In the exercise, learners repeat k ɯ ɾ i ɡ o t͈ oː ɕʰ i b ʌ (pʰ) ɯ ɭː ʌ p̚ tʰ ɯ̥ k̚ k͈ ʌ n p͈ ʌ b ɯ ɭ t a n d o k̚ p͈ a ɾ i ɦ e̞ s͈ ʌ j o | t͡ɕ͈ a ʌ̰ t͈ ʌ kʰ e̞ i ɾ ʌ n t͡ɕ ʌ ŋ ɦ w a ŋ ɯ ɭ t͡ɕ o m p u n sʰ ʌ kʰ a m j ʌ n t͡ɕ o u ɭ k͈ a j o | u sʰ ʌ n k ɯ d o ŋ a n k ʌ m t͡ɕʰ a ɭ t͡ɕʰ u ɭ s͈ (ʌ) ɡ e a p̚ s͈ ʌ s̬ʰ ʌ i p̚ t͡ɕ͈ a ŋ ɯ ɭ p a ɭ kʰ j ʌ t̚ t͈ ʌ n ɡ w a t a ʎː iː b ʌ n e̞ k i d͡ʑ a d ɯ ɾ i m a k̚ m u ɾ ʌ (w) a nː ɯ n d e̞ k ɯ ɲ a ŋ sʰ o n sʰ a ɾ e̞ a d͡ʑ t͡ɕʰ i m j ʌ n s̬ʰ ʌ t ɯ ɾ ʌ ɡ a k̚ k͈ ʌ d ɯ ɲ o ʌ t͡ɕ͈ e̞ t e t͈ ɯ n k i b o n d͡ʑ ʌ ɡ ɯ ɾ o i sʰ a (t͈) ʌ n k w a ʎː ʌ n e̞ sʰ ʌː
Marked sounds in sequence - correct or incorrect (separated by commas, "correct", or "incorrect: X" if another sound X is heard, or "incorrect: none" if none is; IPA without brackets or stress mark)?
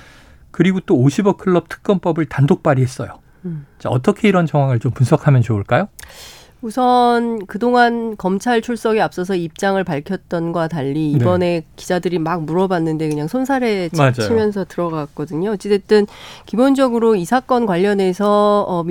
incorrect: kʰ, correct, incorrect: b, incorrect: k͈